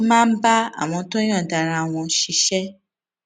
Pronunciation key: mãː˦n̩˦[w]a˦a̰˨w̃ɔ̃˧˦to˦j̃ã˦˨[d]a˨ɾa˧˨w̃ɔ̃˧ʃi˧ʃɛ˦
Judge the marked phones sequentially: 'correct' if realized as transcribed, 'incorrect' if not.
incorrect, correct

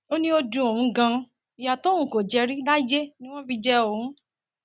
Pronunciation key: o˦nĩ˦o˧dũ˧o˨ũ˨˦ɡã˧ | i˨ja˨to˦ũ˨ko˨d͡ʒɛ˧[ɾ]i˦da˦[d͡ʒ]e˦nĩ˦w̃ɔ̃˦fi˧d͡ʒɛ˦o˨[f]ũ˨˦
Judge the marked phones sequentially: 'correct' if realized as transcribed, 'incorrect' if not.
correct, correct, incorrect

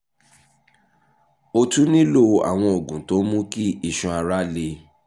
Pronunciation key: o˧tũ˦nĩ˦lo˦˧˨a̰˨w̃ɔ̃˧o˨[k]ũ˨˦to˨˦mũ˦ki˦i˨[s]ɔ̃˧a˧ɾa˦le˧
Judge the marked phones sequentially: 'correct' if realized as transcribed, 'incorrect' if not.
incorrect, incorrect

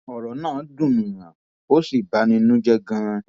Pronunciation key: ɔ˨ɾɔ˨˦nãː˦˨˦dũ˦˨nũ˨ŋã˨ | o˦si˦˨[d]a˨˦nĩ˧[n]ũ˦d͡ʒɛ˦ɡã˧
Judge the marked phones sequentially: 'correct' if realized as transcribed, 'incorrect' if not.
incorrect, correct

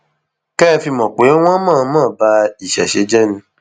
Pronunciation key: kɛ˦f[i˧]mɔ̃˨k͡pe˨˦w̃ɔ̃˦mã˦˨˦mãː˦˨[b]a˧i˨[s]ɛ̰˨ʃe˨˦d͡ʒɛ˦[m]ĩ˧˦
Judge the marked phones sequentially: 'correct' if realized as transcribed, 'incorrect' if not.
correct, correct, incorrect, incorrect

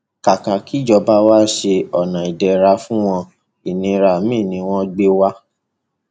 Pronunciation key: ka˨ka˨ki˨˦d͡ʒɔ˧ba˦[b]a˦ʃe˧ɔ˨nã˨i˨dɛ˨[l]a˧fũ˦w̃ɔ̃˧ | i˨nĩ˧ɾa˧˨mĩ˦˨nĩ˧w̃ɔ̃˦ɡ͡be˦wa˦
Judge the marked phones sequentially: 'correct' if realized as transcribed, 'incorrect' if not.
incorrect, incorrect

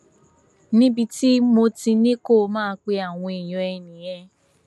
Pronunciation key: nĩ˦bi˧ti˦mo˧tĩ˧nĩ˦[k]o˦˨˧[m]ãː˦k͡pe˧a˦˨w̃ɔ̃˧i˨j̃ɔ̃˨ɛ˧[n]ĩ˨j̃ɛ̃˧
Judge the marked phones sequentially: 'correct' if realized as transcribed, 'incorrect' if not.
correct, correct, correct

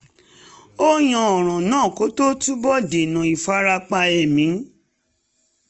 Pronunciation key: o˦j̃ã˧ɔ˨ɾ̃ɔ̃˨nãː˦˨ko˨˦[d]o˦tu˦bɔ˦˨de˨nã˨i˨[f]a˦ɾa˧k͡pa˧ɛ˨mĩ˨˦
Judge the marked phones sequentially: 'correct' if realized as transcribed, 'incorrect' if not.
incorrect, correct

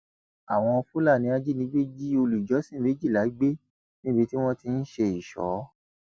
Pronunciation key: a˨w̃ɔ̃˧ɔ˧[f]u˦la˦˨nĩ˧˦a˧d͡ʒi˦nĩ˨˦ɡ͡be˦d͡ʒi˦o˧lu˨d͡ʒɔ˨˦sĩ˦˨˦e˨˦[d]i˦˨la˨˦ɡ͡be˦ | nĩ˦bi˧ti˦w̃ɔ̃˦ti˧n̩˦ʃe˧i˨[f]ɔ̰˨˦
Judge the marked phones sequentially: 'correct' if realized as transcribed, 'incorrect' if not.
correct, incorrect, incorrect

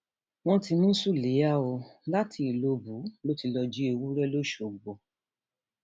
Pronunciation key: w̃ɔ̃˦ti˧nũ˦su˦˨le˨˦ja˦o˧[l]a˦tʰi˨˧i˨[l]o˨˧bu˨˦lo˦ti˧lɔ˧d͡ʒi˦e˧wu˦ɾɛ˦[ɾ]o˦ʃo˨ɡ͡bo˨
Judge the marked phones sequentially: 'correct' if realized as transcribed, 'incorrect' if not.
correct, correct, incorrect

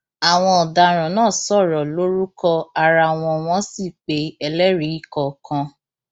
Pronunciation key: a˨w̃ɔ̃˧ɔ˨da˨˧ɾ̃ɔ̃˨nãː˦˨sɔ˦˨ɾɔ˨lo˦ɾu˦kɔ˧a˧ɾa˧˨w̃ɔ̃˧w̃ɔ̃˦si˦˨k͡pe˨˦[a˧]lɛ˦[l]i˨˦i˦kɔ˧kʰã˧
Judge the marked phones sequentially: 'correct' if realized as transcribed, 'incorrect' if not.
incorrect, incorrect

